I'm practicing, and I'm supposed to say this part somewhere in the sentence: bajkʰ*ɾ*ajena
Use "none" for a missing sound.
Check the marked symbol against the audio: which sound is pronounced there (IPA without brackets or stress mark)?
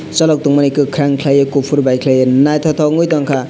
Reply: l